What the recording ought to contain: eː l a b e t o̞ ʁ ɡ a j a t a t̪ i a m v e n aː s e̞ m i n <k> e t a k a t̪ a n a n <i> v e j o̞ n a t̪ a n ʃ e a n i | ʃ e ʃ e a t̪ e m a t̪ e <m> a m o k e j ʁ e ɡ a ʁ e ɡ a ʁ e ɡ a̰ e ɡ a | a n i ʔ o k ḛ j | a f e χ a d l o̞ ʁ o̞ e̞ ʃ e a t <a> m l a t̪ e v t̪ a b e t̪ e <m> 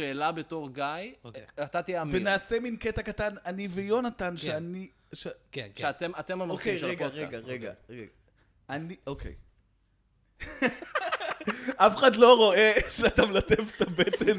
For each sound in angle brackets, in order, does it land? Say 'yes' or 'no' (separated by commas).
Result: yes, yes, yes, yes, no